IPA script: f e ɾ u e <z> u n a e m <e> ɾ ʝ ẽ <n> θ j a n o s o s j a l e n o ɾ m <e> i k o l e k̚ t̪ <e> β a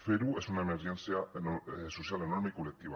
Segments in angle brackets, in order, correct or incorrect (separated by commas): incorrect, correct, correct, correct, incorrect